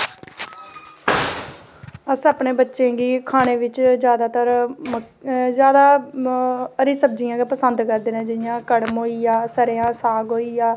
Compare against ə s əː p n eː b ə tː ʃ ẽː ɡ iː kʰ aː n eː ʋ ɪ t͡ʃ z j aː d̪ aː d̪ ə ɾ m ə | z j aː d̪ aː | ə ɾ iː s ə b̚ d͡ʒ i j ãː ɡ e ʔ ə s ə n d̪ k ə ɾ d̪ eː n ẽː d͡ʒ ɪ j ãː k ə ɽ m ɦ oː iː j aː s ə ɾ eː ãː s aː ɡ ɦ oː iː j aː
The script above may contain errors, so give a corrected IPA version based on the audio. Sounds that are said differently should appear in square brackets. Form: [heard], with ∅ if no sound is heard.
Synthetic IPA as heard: ə s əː p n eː b ə tː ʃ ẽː ɡ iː kʰ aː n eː ʋ ɪ t͡ʃ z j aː d̪ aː [t̪] ə ɾ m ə | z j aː d̪ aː | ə ɾ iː s ə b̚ d͡ʒ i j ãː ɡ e [p] ə s ə n d̪ k ə ɾ d̪ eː n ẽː d͡ʒ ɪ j ãː k ə ɽ m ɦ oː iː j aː s ə ɾ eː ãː s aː ɡ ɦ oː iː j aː